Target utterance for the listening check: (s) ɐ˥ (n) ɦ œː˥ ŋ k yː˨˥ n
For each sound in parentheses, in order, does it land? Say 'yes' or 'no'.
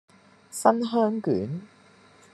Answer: yes, yes

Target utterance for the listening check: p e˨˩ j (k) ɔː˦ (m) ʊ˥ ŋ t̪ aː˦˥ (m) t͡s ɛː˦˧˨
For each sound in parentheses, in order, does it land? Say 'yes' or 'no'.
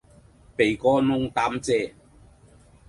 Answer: yes, no, yes

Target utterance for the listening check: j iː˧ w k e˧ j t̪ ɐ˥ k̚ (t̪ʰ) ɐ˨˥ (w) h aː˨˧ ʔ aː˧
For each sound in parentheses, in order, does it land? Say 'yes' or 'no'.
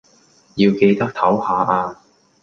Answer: yes, yes

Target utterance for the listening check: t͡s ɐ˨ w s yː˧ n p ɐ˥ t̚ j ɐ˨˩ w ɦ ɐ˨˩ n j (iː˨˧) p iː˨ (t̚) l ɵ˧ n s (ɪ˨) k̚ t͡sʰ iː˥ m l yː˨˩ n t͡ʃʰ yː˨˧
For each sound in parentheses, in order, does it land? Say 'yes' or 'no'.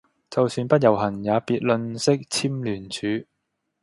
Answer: no, yes, no

